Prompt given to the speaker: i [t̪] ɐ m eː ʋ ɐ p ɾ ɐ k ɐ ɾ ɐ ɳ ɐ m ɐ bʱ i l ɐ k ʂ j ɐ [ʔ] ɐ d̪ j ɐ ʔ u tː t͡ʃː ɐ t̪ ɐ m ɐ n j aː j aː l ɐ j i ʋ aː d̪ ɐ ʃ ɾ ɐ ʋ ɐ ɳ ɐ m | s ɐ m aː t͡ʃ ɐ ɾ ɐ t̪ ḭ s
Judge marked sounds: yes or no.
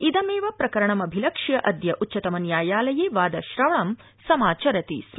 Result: no, yes

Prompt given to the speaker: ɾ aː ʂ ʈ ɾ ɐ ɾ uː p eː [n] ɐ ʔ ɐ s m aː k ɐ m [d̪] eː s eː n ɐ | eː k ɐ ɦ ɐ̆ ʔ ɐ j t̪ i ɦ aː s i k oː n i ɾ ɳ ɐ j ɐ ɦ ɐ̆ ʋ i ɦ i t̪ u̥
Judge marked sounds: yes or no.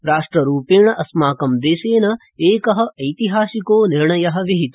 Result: no, yes

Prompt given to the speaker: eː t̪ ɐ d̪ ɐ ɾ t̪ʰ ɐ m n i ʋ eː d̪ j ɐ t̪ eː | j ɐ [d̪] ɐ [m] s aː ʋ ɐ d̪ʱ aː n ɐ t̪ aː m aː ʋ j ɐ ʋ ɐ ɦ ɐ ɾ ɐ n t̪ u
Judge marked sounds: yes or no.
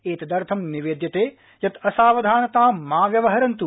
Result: no, no

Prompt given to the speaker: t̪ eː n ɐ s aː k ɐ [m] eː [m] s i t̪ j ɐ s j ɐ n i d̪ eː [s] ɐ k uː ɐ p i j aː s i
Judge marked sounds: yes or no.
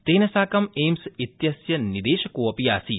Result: yes, yes, no

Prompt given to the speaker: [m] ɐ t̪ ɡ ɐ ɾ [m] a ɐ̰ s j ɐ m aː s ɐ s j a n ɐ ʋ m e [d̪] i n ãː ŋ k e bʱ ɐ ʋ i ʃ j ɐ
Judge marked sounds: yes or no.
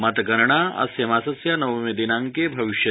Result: yes, no, yes

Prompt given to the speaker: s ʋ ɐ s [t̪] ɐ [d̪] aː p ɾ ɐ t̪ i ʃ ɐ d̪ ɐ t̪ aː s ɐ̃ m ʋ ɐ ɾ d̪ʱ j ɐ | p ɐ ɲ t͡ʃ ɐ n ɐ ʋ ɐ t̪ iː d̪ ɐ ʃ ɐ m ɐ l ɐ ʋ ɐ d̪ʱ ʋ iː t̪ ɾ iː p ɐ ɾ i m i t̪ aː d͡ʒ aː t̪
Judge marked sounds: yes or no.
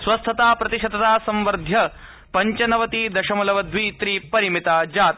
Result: no, no

